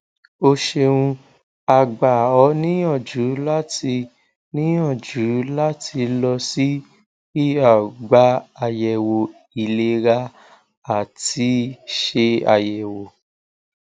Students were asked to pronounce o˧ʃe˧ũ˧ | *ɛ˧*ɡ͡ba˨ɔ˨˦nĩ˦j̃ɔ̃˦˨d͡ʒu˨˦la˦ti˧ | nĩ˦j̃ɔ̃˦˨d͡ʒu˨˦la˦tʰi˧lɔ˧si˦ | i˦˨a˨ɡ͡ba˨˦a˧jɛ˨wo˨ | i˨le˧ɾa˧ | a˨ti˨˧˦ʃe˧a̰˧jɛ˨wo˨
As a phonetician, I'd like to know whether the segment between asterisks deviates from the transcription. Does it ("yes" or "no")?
yes